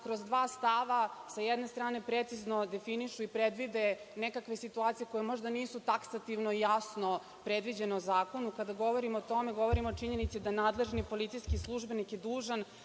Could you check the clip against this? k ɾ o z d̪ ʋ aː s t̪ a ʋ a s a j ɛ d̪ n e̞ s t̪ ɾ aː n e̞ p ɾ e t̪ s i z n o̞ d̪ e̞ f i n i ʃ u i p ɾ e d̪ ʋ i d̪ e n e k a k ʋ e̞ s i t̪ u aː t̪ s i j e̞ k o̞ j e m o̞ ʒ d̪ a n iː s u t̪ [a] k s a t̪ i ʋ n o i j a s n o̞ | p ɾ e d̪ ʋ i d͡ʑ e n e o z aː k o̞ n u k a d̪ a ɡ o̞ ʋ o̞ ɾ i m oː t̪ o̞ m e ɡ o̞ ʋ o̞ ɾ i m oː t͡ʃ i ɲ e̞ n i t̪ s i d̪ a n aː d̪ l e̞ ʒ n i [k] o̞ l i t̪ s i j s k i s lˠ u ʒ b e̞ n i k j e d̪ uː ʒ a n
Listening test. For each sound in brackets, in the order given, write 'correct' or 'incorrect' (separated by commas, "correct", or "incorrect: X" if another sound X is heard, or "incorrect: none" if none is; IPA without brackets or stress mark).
correct, incorrect: p